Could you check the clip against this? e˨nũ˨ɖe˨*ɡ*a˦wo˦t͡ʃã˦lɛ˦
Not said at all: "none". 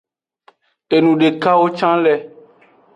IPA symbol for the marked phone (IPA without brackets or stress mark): k